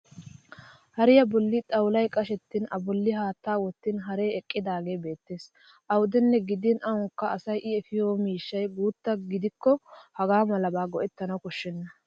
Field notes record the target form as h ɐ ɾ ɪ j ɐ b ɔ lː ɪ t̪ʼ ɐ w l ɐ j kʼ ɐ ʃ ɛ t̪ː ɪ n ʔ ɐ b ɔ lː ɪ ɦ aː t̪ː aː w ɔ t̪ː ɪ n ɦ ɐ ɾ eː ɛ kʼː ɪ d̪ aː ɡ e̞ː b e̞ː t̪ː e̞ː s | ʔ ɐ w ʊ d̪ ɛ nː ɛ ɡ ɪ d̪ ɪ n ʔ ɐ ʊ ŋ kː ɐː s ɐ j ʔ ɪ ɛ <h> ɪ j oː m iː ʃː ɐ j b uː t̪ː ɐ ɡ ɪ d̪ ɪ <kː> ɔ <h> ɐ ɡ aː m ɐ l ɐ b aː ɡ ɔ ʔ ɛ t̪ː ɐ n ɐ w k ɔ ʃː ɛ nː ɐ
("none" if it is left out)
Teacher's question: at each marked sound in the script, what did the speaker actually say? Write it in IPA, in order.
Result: f, kː, h

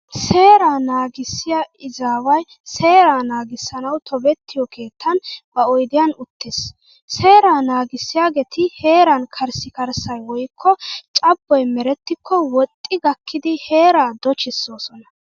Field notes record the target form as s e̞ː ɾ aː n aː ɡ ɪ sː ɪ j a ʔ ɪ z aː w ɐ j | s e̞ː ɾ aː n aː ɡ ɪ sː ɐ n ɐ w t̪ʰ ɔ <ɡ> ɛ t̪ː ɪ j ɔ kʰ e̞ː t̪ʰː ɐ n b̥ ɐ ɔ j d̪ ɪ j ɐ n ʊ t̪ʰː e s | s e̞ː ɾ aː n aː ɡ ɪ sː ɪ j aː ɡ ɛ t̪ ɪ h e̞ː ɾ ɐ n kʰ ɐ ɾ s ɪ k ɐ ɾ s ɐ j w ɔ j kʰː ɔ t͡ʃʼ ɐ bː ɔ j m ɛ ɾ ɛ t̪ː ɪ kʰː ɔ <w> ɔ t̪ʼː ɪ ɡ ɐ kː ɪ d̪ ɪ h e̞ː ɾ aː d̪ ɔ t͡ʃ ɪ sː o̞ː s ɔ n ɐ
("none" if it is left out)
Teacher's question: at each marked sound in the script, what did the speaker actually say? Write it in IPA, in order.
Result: b, w

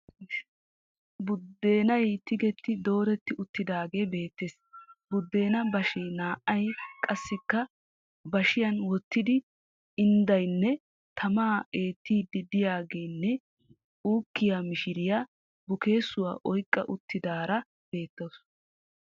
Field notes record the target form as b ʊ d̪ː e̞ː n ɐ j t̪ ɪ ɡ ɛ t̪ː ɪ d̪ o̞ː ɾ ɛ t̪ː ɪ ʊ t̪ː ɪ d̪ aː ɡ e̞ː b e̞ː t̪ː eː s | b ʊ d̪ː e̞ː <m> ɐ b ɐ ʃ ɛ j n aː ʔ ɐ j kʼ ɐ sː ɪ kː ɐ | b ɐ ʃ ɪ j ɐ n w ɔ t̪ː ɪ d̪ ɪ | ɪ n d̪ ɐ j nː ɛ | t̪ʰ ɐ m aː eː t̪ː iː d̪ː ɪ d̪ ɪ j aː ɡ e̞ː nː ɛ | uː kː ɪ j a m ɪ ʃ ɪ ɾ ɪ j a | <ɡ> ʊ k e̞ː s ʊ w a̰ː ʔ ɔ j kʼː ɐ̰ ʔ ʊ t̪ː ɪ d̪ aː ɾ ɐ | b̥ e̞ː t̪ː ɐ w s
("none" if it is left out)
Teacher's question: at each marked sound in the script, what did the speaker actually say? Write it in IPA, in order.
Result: n, b

